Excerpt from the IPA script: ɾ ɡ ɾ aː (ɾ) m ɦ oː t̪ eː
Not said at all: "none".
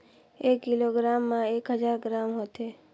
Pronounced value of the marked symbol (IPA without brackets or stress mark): none